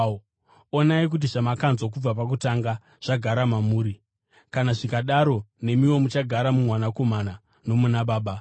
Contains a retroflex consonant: yes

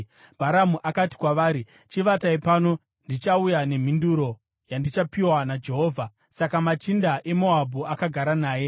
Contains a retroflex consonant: no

